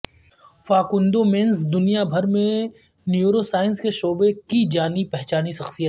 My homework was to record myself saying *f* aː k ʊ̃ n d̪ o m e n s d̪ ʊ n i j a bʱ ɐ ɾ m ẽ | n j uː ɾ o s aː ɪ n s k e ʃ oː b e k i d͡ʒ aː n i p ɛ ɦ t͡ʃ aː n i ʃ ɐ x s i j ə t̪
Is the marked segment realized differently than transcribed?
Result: no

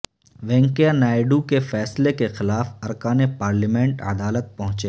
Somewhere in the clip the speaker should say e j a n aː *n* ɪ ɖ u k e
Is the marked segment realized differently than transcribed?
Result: yes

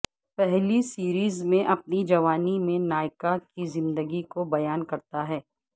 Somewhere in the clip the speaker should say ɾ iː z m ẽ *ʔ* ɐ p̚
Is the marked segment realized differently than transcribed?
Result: no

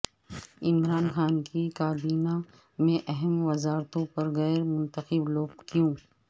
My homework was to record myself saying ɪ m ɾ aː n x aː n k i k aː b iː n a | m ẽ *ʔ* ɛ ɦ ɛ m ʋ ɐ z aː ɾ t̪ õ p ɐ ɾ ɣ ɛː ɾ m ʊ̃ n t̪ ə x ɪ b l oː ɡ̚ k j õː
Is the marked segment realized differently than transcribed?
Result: no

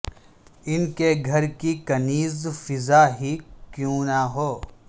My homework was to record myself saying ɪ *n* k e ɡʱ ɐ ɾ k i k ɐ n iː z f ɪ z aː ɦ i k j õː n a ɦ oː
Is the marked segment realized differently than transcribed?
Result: no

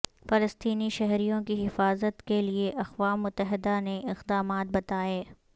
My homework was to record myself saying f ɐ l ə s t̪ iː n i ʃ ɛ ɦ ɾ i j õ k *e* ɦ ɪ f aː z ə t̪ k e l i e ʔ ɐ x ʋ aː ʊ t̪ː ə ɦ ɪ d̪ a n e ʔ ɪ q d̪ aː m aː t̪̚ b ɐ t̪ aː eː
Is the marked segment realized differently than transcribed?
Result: yes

